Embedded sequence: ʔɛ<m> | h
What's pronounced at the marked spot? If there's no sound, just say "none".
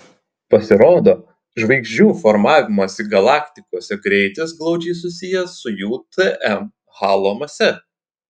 m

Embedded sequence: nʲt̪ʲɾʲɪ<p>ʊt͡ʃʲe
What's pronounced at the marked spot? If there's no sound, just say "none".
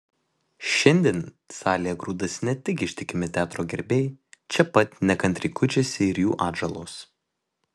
k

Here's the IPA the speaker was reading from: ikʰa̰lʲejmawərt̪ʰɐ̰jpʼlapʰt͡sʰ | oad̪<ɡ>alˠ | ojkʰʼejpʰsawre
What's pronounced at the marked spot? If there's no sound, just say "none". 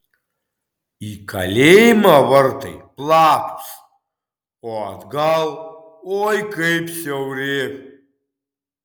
ɡ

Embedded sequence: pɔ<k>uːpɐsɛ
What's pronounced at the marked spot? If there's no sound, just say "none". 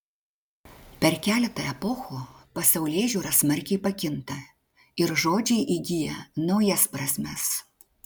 x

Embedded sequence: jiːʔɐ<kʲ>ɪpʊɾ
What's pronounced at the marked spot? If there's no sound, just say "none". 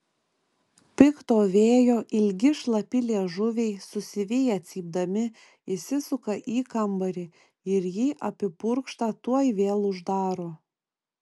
pʲ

